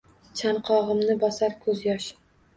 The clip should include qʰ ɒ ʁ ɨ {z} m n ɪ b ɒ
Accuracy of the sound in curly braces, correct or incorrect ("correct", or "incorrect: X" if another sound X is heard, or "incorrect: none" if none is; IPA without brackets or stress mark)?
incorrect: none